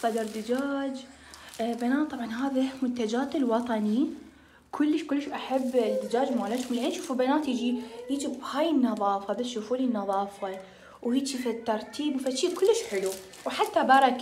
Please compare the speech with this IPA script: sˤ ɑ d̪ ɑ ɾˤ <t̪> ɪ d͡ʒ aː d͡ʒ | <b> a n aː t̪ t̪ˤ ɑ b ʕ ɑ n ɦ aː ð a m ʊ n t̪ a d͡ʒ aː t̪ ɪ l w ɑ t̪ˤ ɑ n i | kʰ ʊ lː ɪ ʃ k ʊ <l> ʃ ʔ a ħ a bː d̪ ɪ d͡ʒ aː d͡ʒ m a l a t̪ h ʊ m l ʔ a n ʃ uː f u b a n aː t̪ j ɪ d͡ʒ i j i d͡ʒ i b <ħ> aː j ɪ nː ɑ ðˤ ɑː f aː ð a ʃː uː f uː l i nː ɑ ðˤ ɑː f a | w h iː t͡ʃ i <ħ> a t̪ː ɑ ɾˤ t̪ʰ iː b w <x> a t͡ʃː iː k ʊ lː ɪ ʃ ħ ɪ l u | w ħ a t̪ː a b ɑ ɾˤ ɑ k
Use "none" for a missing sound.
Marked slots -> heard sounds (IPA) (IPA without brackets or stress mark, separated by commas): d̪, b, lː, h, f, f